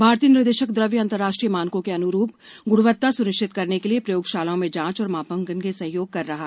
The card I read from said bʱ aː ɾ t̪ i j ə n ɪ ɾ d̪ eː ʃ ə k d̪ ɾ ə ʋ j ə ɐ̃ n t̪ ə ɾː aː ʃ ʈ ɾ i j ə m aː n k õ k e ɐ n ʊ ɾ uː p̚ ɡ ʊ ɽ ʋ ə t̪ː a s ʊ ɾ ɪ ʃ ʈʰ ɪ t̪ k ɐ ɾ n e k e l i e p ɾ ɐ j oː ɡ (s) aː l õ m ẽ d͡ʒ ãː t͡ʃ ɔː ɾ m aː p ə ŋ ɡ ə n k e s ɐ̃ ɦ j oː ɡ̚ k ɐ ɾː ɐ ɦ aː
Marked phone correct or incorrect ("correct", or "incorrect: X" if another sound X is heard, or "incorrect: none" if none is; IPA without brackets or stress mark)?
incorrect: ʃ